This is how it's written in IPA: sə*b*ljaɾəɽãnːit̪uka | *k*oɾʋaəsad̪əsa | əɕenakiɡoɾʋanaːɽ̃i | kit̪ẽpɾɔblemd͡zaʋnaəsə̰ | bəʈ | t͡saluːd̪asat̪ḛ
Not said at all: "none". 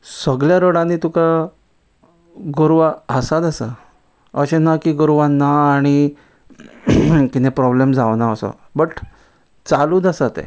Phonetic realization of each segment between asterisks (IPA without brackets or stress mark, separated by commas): ɡ, ɡ